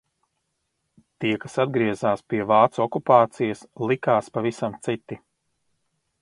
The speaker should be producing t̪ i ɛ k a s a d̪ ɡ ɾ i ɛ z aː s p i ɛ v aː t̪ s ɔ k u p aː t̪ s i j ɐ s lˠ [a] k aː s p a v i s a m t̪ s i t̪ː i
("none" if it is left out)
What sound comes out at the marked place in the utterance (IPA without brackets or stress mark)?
i